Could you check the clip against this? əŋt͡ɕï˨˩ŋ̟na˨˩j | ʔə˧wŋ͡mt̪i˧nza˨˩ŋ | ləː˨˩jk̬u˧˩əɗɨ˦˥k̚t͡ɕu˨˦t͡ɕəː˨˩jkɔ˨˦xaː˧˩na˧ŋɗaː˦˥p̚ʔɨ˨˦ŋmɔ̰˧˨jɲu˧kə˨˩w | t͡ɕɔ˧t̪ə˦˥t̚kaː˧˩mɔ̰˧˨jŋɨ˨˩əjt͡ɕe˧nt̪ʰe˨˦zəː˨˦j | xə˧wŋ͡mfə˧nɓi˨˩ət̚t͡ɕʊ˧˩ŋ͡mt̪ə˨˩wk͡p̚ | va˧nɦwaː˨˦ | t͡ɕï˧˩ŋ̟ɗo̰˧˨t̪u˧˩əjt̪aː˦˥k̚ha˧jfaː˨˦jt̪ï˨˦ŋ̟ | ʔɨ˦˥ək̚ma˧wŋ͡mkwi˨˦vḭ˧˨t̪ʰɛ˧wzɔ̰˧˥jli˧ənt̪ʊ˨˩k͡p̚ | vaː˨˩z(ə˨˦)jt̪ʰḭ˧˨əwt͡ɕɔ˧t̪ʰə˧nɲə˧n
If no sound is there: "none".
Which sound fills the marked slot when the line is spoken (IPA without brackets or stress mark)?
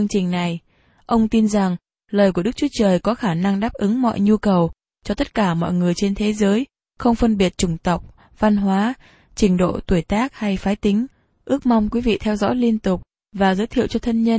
əː˨˦